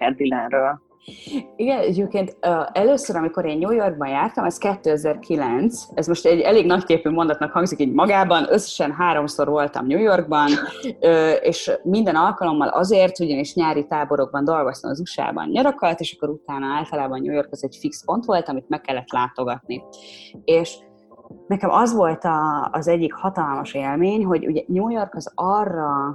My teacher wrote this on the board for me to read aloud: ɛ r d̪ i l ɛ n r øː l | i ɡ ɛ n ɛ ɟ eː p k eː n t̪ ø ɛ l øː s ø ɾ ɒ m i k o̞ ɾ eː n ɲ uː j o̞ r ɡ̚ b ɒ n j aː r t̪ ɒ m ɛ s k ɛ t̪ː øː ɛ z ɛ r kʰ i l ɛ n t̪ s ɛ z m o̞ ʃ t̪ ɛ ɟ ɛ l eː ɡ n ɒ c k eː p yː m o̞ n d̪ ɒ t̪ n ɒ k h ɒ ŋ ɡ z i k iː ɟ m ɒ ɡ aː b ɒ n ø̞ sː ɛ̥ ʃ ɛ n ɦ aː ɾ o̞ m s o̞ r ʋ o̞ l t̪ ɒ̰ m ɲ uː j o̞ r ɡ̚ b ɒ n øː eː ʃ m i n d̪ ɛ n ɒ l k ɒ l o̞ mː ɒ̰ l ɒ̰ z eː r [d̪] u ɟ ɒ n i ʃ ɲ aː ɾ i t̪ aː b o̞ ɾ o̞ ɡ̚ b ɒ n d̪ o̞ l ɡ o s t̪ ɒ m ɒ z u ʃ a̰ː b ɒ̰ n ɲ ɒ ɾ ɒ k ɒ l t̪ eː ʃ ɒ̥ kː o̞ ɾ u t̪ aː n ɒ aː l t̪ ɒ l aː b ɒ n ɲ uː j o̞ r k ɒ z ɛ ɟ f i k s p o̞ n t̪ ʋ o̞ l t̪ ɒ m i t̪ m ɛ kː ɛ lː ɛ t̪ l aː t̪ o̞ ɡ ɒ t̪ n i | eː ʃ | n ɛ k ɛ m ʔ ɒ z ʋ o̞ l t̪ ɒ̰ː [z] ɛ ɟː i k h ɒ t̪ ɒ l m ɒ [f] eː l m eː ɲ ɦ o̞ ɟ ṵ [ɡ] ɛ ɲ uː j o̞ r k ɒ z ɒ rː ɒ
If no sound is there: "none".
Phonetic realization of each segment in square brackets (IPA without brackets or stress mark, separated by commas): t̪, z, ʃ, ɟ